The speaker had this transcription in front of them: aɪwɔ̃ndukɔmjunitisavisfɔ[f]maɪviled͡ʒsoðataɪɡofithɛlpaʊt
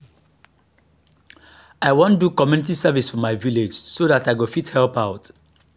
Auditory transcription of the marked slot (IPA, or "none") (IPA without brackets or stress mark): none